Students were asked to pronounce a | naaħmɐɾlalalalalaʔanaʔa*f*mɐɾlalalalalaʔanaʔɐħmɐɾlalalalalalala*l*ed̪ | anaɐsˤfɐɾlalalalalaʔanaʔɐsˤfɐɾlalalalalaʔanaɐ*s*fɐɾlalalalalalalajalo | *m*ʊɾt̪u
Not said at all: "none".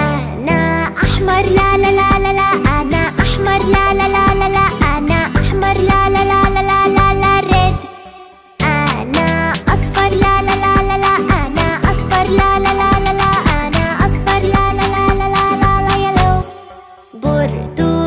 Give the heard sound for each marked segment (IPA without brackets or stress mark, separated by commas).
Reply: ħ, ɾ, s, b